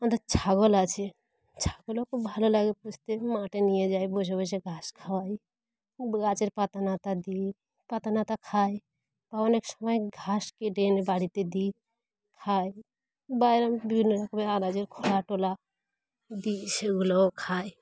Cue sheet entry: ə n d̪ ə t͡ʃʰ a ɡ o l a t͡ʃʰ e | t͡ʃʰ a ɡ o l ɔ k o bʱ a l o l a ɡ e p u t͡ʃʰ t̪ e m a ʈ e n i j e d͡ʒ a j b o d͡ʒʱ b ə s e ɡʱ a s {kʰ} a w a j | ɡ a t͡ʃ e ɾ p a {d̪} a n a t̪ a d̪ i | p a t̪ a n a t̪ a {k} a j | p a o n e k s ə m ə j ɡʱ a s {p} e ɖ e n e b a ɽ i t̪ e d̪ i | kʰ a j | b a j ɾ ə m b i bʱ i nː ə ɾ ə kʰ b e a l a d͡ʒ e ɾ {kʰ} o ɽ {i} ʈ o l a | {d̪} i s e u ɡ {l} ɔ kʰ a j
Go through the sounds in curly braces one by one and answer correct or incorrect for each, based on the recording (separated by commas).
correct, incorrect, incorrect, incorrect, correct, incorrect, correct, correct